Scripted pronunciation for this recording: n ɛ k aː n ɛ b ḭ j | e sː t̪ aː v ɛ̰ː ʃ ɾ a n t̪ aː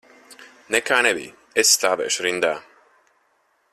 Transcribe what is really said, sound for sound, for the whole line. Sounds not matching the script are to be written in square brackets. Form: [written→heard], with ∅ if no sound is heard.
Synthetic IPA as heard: n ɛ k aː n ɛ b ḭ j | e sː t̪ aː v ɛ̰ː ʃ ɾ [a→i] n [t̪→d̪] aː